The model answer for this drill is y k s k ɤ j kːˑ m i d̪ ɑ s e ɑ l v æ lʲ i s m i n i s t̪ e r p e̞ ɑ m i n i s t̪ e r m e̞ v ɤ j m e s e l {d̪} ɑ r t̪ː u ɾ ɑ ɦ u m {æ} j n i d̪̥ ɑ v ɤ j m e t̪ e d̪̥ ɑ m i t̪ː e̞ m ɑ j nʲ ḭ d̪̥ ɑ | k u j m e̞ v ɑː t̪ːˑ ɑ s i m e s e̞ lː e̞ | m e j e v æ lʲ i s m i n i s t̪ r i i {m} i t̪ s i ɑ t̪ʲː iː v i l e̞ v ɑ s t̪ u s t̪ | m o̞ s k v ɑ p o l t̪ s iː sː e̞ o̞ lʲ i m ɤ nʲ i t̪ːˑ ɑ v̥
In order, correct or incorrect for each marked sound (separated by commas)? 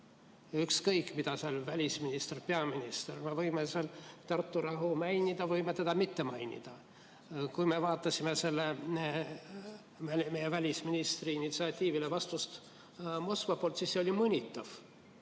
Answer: incorrect, correct, incorrect